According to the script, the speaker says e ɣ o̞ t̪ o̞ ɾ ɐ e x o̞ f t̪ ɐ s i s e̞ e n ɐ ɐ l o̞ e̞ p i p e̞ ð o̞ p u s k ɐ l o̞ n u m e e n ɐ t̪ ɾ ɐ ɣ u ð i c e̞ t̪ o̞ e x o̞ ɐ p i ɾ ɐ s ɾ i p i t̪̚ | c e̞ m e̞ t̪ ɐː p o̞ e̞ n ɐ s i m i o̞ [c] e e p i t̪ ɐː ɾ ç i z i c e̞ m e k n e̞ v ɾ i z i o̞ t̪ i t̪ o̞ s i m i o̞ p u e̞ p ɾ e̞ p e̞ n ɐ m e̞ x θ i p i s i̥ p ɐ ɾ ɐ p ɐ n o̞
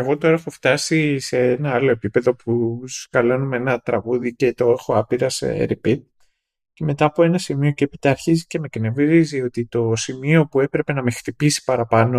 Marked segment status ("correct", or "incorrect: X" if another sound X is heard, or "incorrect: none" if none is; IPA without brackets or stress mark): correct